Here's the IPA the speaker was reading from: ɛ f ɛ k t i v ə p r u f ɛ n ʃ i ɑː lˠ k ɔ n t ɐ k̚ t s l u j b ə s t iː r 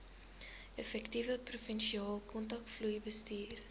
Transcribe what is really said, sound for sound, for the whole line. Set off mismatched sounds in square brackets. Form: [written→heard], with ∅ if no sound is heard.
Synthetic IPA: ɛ f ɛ k t i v ə p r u f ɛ n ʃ i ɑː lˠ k ɔ n t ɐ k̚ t [s→f] l u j b ə s t iː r